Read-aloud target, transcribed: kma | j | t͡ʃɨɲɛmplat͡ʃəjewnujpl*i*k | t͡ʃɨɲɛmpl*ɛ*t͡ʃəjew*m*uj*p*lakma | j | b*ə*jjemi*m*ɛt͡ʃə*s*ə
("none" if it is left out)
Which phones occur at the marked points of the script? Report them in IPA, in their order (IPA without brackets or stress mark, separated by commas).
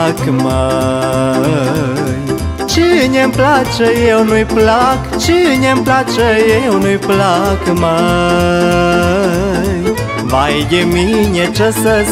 a, a, n, p, a, ɲ, s